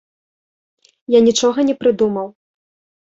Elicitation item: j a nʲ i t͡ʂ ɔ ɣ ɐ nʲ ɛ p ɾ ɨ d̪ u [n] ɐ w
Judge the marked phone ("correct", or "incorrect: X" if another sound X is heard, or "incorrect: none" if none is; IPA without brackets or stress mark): incorrect: m